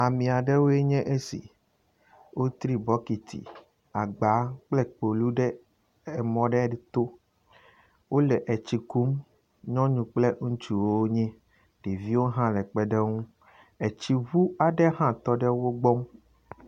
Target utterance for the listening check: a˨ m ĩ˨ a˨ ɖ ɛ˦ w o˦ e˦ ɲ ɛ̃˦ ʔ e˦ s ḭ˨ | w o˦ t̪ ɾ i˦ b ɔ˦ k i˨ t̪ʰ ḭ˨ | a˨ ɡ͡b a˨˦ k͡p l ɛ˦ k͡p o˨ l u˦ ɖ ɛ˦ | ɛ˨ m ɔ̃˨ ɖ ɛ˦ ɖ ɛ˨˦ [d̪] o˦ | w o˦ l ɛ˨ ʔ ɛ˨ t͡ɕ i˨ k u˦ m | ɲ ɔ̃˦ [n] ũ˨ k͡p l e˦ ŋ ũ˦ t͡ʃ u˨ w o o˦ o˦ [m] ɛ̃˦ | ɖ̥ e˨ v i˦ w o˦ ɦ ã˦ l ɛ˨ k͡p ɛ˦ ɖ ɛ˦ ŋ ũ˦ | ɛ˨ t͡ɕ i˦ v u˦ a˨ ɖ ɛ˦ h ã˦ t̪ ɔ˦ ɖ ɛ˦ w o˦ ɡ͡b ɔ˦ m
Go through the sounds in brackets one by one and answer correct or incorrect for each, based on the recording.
incorrect, incorrect, incorrect

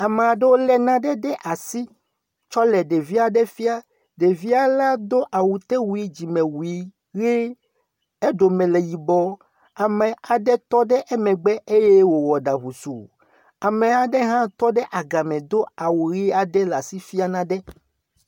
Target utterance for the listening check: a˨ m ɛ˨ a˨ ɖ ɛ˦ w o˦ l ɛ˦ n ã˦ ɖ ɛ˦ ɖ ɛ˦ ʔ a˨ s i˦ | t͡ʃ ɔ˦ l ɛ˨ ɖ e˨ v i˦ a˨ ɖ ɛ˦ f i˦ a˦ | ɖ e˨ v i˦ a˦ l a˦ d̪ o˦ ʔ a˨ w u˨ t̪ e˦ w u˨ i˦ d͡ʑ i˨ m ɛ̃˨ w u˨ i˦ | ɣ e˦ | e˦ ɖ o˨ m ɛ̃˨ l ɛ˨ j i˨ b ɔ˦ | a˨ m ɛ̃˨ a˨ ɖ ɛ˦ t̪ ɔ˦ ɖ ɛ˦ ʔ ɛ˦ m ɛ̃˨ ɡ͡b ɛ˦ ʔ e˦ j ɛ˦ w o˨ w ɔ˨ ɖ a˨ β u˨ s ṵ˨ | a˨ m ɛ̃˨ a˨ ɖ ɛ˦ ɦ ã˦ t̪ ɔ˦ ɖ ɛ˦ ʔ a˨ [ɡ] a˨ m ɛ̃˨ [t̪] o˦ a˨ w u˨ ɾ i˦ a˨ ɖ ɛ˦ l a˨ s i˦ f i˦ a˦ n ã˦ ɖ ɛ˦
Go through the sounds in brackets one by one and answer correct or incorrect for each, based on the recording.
correct, incorrect

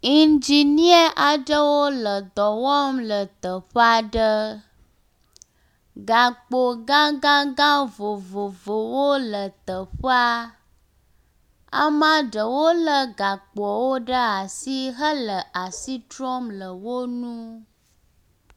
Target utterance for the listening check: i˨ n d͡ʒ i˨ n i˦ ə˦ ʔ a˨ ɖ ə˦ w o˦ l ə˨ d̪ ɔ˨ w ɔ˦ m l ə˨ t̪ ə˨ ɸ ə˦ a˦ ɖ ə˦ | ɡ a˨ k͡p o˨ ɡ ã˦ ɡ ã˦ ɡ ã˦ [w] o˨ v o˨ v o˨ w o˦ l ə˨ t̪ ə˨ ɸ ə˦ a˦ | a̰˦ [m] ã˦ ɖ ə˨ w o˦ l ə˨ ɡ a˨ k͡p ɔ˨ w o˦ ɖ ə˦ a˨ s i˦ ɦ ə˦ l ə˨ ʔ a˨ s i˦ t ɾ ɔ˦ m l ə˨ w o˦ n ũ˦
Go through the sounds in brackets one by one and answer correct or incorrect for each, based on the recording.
incorrect, correct

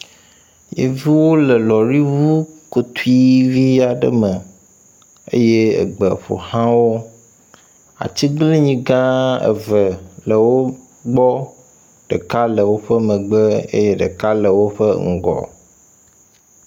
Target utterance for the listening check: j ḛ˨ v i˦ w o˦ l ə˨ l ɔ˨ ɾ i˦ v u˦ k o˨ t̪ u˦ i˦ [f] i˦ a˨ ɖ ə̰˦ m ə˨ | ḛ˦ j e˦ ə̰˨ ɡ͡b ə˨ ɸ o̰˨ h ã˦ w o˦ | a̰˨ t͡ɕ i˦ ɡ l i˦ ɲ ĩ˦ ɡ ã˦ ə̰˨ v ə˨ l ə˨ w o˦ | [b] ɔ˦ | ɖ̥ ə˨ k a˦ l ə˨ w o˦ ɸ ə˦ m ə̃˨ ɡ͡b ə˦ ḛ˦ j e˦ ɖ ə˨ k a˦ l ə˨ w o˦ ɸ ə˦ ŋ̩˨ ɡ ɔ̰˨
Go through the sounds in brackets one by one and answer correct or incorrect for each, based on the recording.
incorrect, incorrect

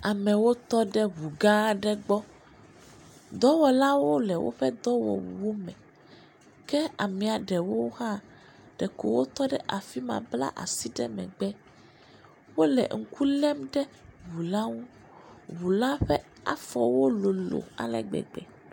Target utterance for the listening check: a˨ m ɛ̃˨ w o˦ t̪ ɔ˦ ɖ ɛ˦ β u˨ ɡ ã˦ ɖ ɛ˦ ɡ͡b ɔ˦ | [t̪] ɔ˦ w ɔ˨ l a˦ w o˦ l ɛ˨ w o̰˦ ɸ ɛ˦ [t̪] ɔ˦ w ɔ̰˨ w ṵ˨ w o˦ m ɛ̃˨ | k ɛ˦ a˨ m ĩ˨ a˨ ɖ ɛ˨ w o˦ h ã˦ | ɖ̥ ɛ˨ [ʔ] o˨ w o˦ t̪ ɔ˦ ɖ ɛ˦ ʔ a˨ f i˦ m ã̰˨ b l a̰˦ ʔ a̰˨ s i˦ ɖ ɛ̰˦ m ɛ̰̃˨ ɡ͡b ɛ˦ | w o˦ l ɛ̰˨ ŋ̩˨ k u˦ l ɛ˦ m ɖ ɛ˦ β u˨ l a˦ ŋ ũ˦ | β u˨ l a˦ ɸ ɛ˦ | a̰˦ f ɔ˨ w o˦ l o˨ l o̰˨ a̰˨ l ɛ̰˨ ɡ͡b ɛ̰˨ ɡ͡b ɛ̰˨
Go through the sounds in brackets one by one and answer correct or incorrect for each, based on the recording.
incorrect, incorrect, incorrect

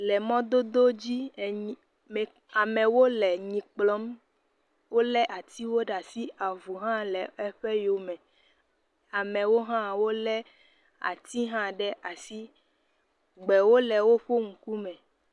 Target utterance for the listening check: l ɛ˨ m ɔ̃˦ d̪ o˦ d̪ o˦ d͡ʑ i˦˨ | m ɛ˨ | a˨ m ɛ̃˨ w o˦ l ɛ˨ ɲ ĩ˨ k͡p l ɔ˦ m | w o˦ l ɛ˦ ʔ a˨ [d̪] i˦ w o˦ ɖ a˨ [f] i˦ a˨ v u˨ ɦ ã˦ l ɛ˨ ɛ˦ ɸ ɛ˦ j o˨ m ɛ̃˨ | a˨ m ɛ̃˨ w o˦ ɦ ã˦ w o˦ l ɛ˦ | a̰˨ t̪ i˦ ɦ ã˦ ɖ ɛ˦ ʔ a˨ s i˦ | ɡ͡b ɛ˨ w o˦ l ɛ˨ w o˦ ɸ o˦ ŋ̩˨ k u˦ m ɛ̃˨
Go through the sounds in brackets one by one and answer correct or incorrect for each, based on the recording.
incorrect, incorrect

